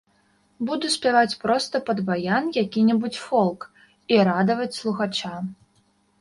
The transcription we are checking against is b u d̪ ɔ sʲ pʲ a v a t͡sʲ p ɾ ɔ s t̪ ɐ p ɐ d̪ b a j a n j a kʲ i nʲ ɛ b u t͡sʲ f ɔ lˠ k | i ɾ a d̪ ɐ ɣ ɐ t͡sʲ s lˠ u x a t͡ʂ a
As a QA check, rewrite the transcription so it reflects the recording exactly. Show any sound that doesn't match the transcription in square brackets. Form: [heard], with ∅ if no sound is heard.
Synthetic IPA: b u d̪ [u] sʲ pʲ a v a t͡sʲ p ɾ ɔ s t̪ ɐ p ɐ d̪ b a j a n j a kʲ i nʲ ɛ b u t͡sʲ f ɔ lˠ k | i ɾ a d̪ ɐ [v] ɐ t͡sʲ s lˠ u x a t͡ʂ a